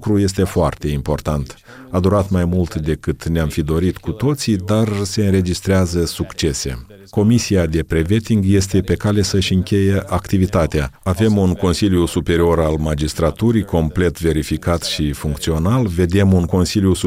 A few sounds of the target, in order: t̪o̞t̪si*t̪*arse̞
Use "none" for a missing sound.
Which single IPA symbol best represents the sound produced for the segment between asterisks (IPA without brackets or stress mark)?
d̪